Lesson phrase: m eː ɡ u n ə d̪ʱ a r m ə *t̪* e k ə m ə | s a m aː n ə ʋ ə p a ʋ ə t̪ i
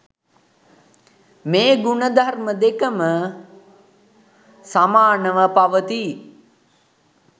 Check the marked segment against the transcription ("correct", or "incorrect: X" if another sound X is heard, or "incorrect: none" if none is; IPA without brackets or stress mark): incorrect: d̪